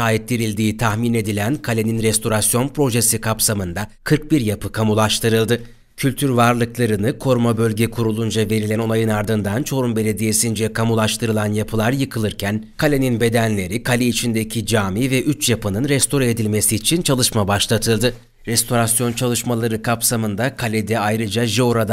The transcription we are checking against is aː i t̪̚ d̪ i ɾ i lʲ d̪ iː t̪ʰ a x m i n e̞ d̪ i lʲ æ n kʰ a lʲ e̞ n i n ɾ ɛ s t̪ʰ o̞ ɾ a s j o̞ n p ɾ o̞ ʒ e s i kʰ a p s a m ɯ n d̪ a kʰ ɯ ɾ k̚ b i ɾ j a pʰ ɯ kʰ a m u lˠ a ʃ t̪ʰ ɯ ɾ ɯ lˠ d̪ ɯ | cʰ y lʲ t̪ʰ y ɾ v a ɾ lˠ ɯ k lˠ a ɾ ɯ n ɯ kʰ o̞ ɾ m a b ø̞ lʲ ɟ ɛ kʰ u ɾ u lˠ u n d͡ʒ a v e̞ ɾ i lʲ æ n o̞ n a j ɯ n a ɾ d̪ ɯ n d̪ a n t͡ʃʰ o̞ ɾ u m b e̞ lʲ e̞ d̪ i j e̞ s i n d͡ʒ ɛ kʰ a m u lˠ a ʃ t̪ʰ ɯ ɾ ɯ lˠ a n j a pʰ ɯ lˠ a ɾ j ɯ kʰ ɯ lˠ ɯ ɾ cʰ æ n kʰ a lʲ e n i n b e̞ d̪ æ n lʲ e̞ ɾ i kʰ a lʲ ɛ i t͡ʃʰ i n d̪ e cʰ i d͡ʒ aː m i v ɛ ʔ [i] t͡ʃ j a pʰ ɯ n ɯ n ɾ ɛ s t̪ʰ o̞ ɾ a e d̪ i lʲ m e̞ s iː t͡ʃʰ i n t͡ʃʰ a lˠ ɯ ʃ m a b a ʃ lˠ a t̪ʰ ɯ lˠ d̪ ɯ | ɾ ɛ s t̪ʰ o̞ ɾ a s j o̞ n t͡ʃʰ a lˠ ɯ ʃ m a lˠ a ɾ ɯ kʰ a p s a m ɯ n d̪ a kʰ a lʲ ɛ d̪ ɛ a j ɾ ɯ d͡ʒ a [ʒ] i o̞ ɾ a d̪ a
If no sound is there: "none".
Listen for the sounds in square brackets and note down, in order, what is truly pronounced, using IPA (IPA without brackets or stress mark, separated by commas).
y, ʒ